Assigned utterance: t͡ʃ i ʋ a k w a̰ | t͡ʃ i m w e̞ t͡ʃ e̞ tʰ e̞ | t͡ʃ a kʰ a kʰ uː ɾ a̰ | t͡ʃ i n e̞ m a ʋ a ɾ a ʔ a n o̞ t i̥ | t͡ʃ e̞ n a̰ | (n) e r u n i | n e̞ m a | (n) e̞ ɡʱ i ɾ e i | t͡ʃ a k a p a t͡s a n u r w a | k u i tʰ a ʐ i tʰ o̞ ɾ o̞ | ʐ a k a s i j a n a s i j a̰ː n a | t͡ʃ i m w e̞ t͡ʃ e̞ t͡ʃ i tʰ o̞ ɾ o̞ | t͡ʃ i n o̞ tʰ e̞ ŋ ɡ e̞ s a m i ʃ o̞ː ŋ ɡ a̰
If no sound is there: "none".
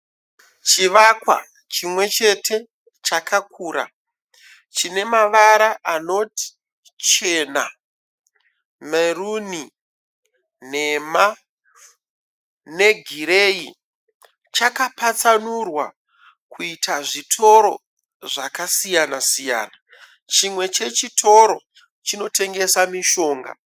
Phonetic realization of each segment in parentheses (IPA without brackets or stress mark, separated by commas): m, n